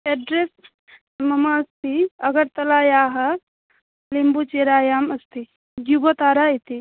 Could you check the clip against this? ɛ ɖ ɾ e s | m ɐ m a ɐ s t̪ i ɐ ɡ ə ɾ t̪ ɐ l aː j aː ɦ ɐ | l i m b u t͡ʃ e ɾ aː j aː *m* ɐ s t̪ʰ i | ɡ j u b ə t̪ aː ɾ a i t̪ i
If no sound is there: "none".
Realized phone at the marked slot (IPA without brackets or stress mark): m